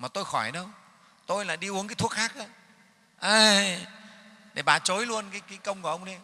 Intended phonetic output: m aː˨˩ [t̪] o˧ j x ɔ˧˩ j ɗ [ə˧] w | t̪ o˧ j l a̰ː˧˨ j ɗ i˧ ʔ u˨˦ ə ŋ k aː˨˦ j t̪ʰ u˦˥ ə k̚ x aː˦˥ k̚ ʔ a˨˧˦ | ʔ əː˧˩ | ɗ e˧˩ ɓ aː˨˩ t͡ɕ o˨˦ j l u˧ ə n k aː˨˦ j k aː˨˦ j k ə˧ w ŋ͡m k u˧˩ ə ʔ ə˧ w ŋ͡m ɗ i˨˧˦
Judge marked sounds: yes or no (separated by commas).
yes, yes